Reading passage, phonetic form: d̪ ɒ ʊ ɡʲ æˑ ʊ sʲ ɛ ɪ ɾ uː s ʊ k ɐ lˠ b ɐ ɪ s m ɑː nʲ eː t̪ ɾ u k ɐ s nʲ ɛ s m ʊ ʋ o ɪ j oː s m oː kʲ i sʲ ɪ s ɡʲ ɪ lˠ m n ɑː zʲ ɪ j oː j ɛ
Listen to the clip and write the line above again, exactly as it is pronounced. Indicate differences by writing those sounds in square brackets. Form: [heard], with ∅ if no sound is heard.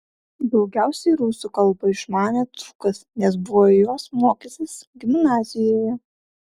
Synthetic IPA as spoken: d̪ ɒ ʊ ɡʲ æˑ ʊ sʲ ɛ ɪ ɾ uː s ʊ k ɐ lˠ b ɐ ɪ [ʃ] m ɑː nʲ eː t̪ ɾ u k ɐ s nʲ ɛ s [b] ʊ ʋ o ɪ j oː s m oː kʲ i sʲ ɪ s ɡʲ ɪ [∅] m n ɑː zʲ ɪ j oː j ɛ